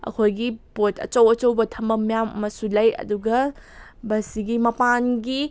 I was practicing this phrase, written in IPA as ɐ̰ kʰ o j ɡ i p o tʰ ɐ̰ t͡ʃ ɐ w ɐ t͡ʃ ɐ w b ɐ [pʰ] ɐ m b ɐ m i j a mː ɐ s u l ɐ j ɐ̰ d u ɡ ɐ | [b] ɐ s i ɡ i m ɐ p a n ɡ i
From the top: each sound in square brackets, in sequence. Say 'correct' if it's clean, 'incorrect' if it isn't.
incorrect, correct

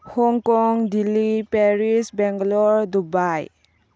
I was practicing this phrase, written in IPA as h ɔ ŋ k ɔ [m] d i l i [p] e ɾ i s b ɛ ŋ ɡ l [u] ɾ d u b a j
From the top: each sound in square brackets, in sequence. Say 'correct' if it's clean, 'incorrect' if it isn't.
incorrect, correct, incorrect

